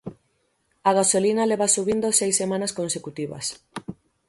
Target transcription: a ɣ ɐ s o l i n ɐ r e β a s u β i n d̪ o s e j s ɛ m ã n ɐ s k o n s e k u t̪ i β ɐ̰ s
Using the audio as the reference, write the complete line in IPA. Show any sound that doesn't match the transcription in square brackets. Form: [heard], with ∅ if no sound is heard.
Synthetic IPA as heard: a ɣ [a] s o l i n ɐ [l] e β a s u β i n d̪ o s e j s [e] m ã n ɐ s k o n s e k u t̪ i β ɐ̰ s